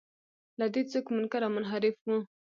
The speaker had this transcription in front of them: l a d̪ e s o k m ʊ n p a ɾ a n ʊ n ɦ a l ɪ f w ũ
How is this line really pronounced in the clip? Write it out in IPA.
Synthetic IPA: l a d̪ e t͡s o k m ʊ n k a ɾ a m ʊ n ɦ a ɾ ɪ f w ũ